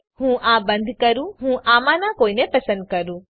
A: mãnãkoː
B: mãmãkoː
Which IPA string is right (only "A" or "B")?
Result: A